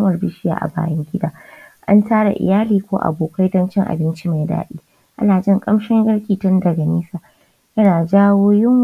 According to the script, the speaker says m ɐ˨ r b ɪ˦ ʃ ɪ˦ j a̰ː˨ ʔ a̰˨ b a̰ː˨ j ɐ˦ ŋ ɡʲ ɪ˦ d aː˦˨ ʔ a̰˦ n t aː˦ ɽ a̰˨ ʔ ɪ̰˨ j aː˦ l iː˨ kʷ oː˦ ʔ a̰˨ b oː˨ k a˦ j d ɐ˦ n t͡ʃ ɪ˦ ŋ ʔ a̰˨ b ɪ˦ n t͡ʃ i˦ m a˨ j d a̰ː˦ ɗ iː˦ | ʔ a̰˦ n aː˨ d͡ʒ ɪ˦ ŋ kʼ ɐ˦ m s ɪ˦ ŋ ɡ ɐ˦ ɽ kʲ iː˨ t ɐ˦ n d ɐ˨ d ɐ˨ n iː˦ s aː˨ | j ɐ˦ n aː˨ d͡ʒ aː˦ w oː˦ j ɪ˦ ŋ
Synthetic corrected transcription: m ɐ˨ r b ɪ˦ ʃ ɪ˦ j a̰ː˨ ʔ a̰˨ b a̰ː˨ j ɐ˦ ŋ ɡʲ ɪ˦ d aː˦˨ ʔ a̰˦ n t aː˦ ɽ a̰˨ ʔ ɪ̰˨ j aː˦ l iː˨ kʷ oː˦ ʔ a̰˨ b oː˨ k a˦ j d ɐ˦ n t͡ʃ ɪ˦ ŋ ʔ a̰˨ b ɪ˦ n t͡ʃ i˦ m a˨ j d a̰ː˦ ɗ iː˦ | ʔ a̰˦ n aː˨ d͡ʒ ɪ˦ ŋ kʼ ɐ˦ m ʃ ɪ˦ ŋ ɡ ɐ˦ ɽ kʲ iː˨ t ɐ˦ n d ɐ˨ ɡ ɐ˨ n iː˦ s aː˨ | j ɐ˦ n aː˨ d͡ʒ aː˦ w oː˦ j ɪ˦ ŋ